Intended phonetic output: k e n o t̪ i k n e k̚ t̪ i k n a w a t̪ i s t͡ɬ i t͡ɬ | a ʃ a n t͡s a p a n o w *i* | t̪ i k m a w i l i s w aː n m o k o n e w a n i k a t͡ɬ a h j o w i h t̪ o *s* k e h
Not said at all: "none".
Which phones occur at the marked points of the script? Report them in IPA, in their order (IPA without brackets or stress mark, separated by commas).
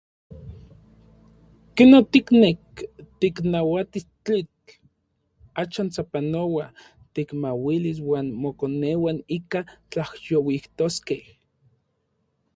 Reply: a, s